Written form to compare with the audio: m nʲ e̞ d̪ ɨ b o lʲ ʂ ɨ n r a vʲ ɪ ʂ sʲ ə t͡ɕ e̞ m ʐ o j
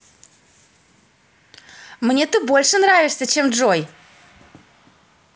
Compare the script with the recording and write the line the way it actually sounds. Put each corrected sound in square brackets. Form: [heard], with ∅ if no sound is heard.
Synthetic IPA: m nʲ e̞ [t̪] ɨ b o lʲ ʂ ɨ n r a vʲ ɪ ʂ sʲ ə t͡ɕ e̞ m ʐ o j